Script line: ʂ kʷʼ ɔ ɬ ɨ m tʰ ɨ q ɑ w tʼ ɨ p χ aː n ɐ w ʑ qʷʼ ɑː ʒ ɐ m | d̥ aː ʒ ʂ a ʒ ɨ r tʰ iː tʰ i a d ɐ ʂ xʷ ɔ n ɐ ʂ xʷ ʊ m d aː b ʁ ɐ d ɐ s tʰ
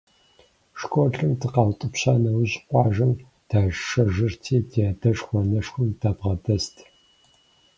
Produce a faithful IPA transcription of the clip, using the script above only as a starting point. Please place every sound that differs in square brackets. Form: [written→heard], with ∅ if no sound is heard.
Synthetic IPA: ʂ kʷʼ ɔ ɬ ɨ m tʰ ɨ q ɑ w tʼ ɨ p [χ→ɕ] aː n ɐ w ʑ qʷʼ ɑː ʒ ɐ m | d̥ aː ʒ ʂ [a→ɐ] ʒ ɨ r tʰ iː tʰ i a d ɐ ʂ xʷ ɔ n ɐ ʂ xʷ ʊ m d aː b ʁ ɐ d ɐ s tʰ